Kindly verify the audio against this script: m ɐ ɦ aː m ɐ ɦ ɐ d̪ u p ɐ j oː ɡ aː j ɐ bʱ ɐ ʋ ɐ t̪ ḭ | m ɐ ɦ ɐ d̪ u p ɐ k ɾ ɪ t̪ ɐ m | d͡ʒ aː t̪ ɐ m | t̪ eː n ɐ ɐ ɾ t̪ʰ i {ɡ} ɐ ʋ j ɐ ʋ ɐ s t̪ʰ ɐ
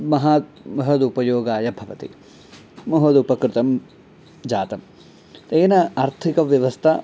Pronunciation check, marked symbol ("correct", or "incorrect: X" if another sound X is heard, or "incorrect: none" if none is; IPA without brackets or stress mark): incorrect: k